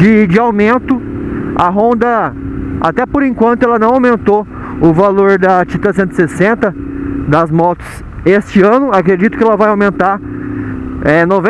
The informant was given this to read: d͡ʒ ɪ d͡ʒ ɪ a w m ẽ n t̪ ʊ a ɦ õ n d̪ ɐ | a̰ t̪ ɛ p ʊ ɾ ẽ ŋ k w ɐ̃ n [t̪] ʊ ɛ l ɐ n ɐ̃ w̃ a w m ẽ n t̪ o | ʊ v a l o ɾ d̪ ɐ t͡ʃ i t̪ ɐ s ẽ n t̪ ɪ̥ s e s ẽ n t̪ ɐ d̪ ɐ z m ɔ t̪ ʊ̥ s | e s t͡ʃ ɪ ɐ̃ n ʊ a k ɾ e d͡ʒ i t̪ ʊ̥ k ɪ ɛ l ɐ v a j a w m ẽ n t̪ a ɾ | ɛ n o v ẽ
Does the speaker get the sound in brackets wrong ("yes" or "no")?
no